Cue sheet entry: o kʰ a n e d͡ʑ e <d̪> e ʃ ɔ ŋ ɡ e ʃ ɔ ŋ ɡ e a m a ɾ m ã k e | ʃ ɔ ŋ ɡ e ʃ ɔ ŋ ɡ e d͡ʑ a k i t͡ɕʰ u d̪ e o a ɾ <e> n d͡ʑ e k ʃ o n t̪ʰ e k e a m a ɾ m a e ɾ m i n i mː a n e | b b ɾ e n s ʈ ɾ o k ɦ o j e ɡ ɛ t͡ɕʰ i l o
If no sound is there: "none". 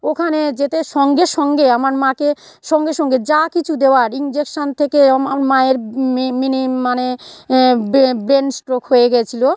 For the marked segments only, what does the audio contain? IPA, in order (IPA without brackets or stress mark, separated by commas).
t̪, i